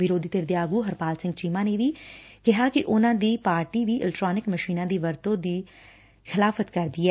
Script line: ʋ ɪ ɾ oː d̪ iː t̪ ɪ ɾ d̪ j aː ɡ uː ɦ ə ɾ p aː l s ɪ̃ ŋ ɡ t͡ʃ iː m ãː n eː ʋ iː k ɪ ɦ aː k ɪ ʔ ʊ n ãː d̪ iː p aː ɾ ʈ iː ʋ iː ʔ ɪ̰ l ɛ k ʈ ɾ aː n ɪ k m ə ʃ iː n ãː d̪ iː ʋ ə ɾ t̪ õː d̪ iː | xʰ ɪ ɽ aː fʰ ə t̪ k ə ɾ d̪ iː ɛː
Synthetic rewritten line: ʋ ɪ ɾ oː d̪ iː t̪ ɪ ɾ d̪ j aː ɡ uː ɦ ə ɾ p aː l s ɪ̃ ŋ ɡ t͡ʃ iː m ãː n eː ʋ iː k ɪ ɦ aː k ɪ ʔ ʊ n ãː d̪ iː p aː ɾ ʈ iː ʋ iː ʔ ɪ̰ l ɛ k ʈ ɾ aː n ɪ k m ə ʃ iː n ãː d̪ iː ʋ ə ɾ t̪ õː d̪ iː | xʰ ɪ l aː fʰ ə t̪ k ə ɾ d̪ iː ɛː